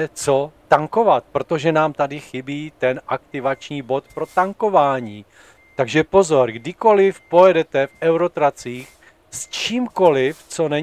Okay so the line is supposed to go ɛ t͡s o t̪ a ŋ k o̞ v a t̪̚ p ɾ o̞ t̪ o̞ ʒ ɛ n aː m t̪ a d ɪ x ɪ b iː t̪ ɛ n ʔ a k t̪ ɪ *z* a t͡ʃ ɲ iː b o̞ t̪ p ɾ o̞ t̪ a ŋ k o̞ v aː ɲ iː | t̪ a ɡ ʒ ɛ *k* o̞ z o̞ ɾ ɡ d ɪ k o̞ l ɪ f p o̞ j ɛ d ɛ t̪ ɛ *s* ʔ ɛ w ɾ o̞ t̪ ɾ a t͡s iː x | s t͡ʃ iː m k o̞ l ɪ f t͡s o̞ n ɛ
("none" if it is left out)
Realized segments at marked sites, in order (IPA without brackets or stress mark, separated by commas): v, p, f